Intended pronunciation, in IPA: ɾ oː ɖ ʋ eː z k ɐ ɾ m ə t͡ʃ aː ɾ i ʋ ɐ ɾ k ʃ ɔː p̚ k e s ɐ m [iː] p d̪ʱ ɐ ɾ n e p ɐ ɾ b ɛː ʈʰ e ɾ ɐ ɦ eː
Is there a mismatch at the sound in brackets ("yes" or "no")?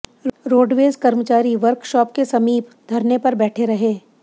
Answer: no